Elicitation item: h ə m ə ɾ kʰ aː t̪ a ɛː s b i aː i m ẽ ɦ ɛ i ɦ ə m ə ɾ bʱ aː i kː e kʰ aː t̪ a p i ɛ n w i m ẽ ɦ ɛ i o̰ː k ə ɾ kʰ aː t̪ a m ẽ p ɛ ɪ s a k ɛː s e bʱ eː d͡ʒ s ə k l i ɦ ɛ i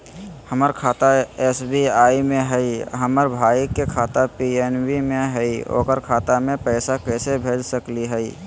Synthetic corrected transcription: h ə m ə ɾ kʰ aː t̪ a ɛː s b i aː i m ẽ ɦ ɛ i ɦ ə m ə ɾ bʱ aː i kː e kʰ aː t̪ a p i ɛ n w i m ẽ ɦ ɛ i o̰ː k ə ɾ kʰ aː t̪ a m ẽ p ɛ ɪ s a k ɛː s e bʱ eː d͡ʒ s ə k l i ɦ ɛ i